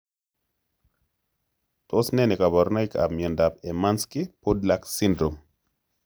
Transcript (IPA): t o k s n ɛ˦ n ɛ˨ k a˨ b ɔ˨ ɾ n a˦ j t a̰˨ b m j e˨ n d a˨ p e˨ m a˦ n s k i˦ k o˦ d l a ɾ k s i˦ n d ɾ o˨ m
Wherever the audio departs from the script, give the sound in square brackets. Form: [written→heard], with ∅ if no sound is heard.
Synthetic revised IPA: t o [k→∅] s n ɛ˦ n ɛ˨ k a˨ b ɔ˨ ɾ n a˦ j [t→k] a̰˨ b m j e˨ n d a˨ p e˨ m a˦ n s k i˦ [k→p] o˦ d l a [ɾ→∅] k s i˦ n d ɾ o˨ m